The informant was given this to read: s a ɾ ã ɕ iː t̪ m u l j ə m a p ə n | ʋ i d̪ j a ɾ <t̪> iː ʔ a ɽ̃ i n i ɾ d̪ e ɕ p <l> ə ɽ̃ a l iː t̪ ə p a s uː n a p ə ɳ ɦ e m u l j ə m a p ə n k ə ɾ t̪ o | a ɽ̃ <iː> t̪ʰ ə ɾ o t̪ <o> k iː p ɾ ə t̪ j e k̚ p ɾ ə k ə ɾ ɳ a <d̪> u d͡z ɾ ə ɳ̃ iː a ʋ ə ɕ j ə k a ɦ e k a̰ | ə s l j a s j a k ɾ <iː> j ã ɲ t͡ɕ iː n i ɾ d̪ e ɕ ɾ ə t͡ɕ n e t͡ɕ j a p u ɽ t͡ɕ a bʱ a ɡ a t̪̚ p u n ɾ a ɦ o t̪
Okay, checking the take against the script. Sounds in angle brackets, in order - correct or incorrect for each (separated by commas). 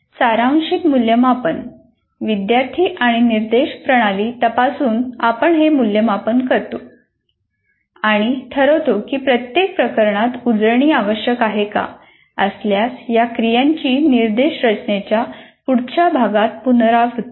incorrect, incorrect, incorrect, correct, incorrect, incorrect